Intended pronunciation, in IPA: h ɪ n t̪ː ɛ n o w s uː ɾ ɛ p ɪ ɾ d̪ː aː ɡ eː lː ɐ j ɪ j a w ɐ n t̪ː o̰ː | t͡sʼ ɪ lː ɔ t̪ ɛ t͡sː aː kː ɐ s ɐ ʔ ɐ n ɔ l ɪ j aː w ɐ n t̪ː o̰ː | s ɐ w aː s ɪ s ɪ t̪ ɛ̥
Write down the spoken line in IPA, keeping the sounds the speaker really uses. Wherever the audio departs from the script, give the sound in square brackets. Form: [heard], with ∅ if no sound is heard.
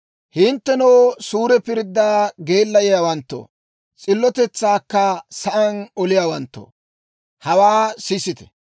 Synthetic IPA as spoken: h ɪ n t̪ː ɛ n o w s uː ɾ ɛ p ɪ ɾ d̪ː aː ɡ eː lː ɐ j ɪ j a w ɐ n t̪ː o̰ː | t͡sʼ ɪ lː ɔ t̪ ɛ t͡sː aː kː ɐ s ɐ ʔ ɐ n ɔ l ɪ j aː w ɐ n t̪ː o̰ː | [h] ɐ w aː s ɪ s ɪ t̪ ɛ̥